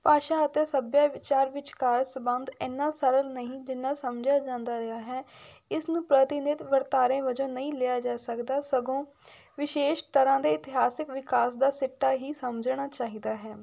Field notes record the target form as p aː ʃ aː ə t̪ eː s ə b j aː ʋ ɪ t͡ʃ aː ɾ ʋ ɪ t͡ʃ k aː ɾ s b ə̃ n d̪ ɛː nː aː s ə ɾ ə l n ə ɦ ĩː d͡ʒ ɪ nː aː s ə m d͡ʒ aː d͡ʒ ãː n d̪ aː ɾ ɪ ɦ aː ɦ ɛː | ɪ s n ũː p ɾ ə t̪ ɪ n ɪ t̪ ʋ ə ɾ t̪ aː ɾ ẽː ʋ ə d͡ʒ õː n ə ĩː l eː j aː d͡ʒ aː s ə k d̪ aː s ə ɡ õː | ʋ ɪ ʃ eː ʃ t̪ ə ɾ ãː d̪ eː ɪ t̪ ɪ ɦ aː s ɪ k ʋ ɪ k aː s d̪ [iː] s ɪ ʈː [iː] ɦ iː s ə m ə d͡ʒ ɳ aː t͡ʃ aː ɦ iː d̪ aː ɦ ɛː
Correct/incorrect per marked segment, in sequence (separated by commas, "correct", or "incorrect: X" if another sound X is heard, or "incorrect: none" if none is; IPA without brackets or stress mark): incorrect: aː, incorrect: aː